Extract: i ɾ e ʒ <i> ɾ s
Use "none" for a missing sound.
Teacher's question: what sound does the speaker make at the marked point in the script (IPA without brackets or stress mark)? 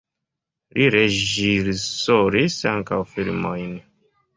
i